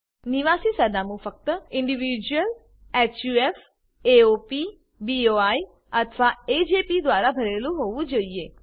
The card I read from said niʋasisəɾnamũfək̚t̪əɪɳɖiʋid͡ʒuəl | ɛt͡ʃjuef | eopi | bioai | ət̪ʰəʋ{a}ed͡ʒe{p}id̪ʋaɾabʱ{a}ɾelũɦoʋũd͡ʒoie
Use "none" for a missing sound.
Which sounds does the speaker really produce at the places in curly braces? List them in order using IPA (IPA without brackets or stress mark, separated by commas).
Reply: a, p, ə